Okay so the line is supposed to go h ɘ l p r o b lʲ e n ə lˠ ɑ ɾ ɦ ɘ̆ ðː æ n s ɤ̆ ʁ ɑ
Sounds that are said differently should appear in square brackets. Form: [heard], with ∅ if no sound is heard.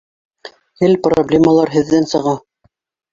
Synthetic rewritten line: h ɘ l p r o b lʲ e [m] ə lˠ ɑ ɾ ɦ ɘ̆ ðː æ n s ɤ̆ ʁ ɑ